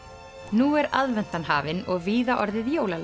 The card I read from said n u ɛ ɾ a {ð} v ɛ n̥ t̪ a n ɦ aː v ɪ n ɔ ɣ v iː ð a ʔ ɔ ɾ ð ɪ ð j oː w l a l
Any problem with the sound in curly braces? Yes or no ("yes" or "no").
no